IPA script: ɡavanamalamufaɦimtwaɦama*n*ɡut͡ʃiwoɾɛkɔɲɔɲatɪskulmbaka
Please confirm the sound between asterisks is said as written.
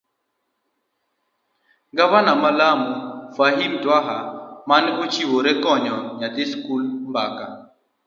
yes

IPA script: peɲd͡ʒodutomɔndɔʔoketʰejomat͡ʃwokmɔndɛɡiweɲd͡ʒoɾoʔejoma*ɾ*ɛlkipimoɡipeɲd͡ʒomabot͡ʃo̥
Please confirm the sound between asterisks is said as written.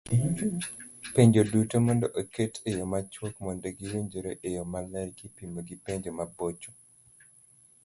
no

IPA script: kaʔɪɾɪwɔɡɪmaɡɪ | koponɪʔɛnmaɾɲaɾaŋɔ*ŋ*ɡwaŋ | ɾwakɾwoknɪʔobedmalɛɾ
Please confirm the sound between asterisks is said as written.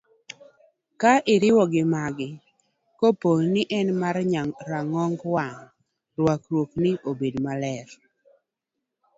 yes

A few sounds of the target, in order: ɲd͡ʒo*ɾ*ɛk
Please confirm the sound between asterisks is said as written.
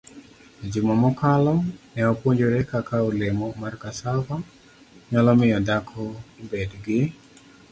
yes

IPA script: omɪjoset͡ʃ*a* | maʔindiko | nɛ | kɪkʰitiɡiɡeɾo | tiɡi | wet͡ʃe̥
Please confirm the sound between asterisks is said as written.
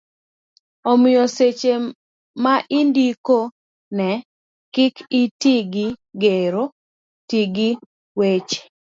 no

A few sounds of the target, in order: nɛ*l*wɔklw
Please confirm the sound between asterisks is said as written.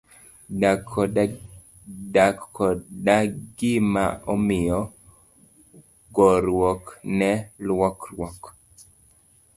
yes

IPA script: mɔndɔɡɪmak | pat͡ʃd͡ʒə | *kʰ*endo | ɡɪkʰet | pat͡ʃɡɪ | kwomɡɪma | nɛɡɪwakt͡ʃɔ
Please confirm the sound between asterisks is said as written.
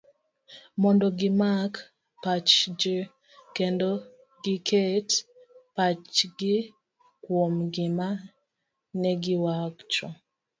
no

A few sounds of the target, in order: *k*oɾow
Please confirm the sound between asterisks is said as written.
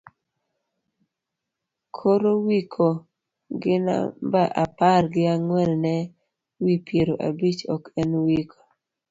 no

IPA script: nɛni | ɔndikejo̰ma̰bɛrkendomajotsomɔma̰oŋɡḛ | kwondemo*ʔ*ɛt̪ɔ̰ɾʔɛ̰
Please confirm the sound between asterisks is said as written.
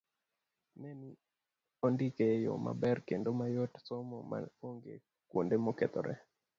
no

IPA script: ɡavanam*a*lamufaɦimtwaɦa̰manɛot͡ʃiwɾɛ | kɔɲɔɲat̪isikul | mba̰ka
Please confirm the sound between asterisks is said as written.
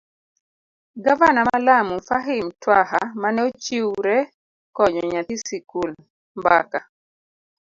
yes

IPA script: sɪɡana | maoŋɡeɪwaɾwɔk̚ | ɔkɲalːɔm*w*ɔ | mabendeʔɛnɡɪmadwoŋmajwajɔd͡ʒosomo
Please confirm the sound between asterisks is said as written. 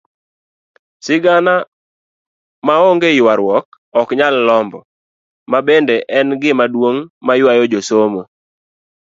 no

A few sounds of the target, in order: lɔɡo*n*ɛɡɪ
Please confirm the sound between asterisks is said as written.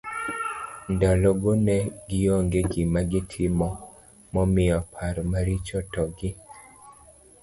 yes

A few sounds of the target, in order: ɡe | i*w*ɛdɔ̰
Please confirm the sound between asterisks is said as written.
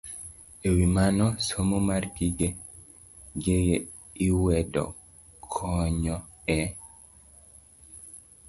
yes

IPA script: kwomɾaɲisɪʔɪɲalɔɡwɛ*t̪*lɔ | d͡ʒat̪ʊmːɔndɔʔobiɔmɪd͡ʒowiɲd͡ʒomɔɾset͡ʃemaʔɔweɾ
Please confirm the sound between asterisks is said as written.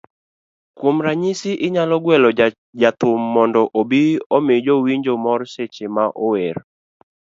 no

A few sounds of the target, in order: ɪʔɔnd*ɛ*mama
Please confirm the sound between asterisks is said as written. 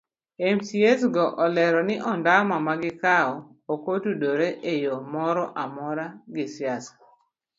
no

